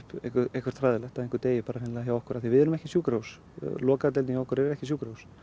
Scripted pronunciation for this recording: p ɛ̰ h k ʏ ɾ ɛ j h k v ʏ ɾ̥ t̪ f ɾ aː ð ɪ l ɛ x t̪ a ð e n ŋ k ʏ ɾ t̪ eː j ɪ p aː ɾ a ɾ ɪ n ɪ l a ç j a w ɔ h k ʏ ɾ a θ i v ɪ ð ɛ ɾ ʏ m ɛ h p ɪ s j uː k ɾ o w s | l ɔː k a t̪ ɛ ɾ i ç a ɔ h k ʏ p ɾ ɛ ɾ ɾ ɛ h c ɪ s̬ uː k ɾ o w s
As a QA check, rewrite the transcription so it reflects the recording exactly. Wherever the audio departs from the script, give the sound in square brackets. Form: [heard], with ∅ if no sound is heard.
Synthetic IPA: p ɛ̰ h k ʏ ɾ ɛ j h k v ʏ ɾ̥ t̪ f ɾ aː ð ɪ l ɛ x t̪ a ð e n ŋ k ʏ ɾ t̪ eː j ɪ p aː ɾ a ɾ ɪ n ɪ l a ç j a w ɔ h k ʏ ɾ a θ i v ɪ ð ɛ ɾ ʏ m ɛ h [c] ɪ s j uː k ɾ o w s | l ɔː k a t̪ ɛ [l] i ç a ɔ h k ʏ [∅] ɾ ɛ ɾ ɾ ɛ h c ɪ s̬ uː k ɾ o w s